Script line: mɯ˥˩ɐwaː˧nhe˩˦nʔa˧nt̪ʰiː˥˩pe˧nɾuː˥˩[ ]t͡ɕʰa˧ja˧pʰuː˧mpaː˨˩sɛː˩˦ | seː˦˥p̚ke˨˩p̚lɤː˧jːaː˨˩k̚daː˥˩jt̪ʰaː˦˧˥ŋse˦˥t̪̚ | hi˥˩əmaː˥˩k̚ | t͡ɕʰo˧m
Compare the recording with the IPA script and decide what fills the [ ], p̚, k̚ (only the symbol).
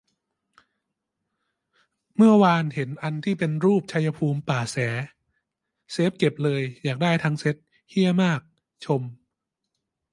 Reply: p̚